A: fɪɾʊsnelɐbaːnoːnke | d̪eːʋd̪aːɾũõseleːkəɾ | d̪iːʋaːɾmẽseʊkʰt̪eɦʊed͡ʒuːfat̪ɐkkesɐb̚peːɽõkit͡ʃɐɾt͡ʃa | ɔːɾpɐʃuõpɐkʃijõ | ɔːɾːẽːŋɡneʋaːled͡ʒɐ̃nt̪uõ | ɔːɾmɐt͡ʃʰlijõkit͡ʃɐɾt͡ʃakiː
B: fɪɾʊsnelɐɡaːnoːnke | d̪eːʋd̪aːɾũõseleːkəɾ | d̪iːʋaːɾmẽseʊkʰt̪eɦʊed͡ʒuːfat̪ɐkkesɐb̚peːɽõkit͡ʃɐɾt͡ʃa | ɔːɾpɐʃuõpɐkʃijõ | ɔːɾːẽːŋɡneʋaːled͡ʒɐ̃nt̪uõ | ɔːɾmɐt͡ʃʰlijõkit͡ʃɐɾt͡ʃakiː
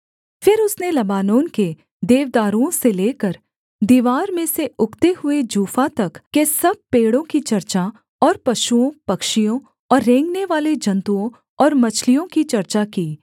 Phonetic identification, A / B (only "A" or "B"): A